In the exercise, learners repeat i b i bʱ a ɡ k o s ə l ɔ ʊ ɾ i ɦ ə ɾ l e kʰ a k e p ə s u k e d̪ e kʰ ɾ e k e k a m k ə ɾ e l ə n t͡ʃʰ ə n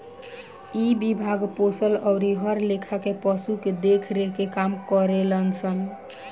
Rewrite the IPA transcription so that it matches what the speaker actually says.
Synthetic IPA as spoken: i b i bʱ a ɡ p o s ə l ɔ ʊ ɾ i ɦ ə ɾ l e kʰ a k e p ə s u k e d̪ e kʰ ɾ e k e k a m k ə ɾ e l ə n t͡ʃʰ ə n